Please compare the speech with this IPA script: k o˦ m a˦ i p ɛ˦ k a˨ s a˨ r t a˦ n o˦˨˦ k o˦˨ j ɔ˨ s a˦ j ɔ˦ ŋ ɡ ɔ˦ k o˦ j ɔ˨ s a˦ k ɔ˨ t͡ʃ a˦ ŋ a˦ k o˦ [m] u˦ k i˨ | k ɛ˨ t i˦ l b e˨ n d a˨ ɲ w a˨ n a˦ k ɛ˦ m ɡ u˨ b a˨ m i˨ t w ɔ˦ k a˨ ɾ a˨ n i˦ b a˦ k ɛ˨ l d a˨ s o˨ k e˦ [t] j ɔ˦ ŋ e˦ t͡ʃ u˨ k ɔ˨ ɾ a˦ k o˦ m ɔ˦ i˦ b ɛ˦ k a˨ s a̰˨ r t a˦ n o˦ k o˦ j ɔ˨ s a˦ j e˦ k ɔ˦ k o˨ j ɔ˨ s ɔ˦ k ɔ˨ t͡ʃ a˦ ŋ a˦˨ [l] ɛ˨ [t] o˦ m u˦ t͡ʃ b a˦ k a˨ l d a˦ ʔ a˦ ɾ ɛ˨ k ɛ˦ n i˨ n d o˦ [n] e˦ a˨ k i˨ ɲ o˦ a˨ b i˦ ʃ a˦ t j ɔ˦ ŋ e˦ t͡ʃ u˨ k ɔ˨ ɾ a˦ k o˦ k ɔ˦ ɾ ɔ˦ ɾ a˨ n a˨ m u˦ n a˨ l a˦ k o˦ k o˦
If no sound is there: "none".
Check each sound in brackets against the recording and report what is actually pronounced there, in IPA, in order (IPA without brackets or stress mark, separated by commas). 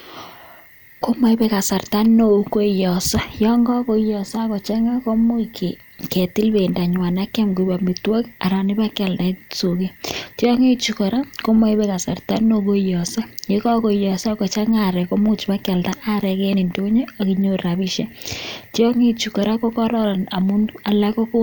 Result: m, t, ɾ, k, ɲ